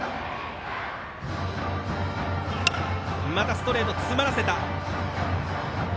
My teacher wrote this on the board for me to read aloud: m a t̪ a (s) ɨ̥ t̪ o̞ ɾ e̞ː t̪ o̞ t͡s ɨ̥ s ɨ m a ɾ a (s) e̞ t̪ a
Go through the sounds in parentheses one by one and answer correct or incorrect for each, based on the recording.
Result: correct, correct

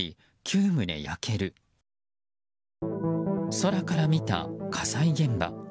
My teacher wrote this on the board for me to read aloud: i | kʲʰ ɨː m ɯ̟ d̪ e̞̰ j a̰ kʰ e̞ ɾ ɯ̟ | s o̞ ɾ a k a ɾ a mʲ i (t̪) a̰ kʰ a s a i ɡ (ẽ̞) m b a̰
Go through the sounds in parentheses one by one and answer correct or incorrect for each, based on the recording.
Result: correct, correct

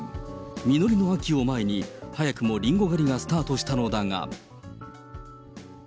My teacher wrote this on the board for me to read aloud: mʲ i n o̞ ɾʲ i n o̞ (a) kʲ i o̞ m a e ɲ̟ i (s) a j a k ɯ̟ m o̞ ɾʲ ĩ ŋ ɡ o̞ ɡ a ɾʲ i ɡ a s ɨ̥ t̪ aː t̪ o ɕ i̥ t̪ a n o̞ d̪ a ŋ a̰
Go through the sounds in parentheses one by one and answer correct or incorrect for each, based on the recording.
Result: correct, incorrect

